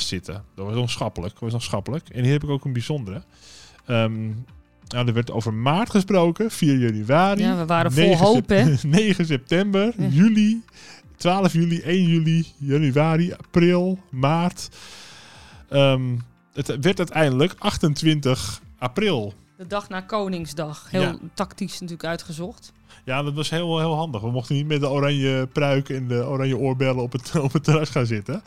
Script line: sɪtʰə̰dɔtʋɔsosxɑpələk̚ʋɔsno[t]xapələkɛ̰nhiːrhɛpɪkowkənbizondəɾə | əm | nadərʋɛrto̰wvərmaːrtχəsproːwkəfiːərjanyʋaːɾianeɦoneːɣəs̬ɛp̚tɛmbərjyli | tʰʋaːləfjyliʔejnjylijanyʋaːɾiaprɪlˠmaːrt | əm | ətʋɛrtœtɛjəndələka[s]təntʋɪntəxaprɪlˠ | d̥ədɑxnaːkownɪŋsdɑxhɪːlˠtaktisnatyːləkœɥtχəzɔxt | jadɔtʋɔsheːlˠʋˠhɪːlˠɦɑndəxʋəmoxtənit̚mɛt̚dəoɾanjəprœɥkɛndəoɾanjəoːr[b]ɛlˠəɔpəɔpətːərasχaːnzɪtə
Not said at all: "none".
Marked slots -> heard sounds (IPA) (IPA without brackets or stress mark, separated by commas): s, x, b